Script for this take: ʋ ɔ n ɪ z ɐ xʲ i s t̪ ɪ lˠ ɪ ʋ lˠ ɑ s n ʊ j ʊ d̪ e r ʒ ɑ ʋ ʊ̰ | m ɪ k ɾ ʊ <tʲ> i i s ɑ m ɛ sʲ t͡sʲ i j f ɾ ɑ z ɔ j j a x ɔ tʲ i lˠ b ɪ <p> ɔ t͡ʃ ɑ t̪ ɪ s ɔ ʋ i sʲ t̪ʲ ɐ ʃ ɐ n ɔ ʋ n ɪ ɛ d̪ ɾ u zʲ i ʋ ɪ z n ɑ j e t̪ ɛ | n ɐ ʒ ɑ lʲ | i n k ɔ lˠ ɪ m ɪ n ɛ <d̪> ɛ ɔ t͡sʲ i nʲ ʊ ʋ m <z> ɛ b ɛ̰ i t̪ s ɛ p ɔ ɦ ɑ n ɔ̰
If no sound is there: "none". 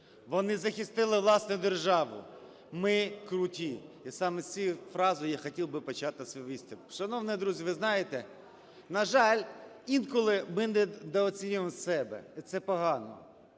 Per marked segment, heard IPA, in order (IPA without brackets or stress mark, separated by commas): tʲ, p, d̪, s